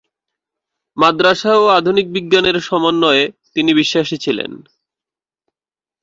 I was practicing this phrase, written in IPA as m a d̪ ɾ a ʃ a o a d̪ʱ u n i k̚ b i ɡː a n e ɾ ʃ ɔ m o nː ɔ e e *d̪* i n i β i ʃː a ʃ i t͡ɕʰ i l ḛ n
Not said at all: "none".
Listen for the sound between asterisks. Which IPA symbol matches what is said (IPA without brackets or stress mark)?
t̪